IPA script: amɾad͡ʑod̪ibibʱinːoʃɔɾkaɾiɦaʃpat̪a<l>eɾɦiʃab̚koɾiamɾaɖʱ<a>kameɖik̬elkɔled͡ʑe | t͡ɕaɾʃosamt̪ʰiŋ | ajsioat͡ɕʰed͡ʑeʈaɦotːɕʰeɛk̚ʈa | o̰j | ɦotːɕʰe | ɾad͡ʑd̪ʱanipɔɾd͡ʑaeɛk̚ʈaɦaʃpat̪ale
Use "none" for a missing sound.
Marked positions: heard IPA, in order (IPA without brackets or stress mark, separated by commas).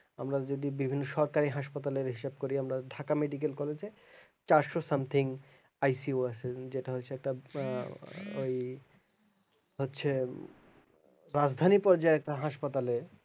l, a